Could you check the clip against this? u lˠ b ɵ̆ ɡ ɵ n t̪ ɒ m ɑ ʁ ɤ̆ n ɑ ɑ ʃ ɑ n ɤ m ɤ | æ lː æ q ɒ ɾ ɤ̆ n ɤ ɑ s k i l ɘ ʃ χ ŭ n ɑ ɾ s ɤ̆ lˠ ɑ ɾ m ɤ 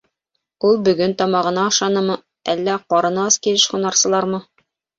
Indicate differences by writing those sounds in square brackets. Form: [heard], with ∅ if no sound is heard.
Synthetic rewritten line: u lˠ b ɵ̆ ɡ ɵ n t̪ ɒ m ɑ ʁ ɤ̆ n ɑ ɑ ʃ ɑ n ɤ m ɤ | æ lː æ q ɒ ɾ ɤ̆ n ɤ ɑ s k i l ɘ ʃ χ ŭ n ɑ ɾ s ɤ̆ lˠ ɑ ɾ m ɤ